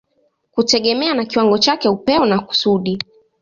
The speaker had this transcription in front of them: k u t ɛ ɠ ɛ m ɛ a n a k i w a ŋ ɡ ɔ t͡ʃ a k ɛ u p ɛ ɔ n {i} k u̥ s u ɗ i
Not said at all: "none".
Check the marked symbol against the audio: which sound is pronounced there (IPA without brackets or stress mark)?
a